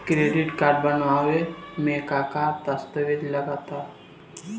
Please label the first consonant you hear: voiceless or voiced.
voiceless